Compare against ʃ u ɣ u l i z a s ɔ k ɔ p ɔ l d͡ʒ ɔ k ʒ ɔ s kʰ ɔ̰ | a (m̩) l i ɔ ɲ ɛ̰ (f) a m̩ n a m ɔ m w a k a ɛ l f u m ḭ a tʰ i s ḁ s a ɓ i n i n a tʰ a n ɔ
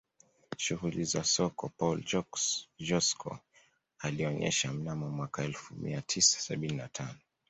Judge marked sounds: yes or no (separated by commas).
no, no